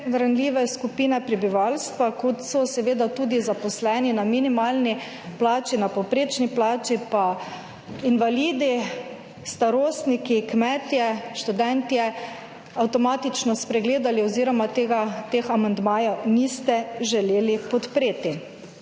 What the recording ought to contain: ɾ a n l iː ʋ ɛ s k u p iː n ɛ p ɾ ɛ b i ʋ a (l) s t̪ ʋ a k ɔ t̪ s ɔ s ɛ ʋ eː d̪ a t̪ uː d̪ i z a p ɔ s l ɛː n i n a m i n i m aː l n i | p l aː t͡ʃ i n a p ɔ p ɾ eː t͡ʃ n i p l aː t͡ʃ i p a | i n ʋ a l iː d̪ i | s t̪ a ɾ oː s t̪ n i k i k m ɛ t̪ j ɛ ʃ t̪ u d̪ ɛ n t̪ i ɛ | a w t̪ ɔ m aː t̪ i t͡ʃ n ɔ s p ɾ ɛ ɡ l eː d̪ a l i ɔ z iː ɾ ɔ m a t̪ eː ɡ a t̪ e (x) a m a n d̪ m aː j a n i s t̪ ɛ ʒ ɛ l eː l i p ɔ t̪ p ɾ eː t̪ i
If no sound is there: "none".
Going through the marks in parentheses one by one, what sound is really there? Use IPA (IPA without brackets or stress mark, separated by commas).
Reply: l, x